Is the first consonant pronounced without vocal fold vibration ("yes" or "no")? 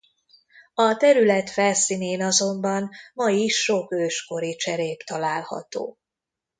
yes